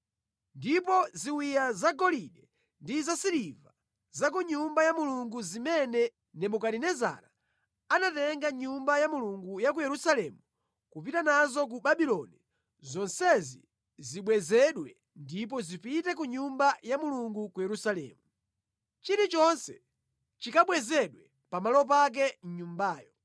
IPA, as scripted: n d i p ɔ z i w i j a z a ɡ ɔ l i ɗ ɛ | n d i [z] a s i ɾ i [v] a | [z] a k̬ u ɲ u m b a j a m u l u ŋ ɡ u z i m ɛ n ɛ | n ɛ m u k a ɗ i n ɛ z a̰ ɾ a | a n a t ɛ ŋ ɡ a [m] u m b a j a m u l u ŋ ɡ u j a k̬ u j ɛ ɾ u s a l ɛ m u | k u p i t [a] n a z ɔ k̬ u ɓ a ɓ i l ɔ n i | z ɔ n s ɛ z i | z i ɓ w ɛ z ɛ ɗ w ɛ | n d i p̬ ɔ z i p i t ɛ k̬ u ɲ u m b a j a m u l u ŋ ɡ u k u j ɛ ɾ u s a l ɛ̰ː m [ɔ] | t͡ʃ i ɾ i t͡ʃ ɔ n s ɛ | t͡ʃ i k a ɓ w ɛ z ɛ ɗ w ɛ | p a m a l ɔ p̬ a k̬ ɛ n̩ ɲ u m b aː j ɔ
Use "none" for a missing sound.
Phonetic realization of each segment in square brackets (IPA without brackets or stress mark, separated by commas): z, v, z, ɲ, a, u